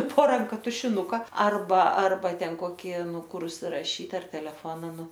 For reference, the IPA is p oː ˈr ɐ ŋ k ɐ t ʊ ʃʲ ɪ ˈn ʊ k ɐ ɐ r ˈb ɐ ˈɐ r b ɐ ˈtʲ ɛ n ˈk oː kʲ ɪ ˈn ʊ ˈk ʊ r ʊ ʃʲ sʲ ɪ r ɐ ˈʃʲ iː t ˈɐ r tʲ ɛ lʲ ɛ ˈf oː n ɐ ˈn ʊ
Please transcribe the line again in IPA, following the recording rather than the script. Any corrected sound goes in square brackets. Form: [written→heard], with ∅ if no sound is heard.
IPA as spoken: p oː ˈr ɐ ŋ k ɐ t ʊ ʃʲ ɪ ˈn ʊ k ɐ ɐ r ˈb ɐ ˈɐ r b ɐ ˈtʲ ɛ n ˈk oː kʲ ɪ ˈn ʊ ˈk ʊ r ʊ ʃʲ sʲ ɪ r ɐ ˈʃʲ iː t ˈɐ r tʲ ɛ lʲ ɛ ˈf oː n ɐ ˈn ʊ